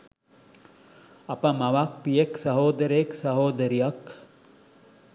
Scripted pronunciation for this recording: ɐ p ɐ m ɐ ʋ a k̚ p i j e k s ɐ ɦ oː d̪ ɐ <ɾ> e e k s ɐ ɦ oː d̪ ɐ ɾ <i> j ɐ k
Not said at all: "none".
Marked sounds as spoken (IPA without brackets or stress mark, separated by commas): ɾ, i